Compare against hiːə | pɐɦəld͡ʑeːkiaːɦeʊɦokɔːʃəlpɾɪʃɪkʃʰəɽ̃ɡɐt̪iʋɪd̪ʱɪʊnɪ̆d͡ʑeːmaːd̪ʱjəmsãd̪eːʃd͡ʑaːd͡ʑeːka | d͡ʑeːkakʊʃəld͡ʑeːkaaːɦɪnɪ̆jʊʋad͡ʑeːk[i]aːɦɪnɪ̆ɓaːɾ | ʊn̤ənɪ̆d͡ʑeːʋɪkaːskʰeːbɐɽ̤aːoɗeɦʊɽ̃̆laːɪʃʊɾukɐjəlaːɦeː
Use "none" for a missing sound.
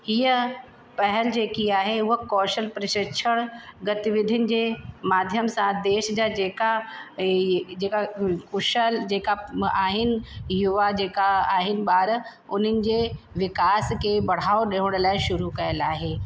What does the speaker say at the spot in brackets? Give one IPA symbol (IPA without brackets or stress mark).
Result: a